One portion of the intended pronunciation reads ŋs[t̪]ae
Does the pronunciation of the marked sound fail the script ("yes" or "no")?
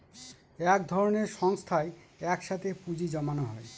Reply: yes